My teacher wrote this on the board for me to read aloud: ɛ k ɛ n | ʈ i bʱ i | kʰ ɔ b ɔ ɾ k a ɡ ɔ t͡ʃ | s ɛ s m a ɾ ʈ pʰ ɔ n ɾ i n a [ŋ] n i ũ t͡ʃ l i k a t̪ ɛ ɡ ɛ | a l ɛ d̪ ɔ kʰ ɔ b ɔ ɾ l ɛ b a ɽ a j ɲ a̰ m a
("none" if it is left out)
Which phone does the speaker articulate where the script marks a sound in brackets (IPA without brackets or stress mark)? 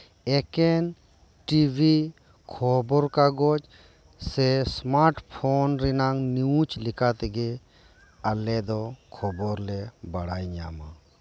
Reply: ŋ